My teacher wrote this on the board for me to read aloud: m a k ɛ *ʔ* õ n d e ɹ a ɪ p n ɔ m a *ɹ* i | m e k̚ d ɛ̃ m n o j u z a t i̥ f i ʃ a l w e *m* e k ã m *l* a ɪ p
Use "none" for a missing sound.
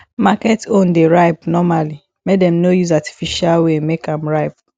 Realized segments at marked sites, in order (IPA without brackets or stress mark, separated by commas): t, l, m, ɹ